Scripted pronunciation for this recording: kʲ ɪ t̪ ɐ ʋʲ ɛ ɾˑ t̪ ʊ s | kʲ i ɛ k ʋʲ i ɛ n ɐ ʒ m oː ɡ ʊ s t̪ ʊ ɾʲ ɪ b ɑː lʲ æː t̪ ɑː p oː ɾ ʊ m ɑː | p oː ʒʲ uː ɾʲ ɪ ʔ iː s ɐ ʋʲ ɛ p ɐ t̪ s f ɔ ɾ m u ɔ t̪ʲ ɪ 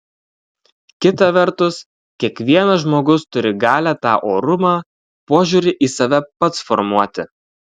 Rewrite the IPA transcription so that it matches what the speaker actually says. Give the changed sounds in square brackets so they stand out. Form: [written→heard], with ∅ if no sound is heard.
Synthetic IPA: kʲ ɪ t̪ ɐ ʋʲ ɛ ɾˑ t̪ ʊ s | kʲ i ɛ k ʋʲ i ɛ n ɐ ʒ m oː ɡ ʊ s t̪ ʊ ɾʲ ɪ [b→ɡ] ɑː lʲ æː t̪ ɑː [p→ʔ] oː ɾ ʊ m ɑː | p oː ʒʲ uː ɾʲ ɪ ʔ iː s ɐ ʋʲ ɛ p ɐ t̪ s f ɔ ɾ m u ɔ t̪ʲ ɪ